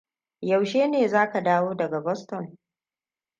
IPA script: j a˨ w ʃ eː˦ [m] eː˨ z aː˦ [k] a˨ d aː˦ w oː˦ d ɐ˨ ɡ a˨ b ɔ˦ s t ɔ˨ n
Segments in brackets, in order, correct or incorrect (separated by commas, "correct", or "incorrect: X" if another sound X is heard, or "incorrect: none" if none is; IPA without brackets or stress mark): incorrect: n, correct